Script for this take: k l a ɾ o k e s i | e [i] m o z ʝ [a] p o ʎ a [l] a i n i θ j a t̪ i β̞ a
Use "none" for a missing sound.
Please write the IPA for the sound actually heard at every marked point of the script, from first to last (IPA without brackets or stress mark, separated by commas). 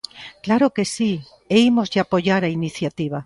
i, a, ɾ